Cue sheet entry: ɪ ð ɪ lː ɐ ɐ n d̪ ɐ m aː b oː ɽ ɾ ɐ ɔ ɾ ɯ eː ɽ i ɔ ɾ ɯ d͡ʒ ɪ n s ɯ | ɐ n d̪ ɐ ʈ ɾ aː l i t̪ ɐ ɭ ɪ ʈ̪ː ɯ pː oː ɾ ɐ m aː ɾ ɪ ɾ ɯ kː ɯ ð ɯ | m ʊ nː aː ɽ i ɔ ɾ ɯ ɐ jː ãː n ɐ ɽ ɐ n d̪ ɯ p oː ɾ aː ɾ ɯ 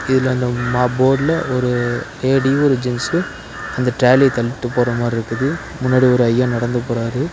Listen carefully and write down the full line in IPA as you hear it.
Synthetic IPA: ɪ ð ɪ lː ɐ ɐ n d̪ ɐ m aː b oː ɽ l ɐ ɔ ɾ ɯ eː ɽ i ɔ ɾ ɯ d͡ʒ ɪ n s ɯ | ɐ n d̪ ɐ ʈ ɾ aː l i t̪ ɐ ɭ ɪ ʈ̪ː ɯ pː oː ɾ ɐ m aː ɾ ɪ ɾ ɯ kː ɯ ð ɯ | m ʊ nː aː ɽ i ɔ ɾ ɯ ɐ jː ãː n ɐ ɽ ɐ n d̪ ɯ p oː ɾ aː ɾ ɯ